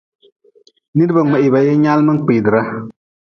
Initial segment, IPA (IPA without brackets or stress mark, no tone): n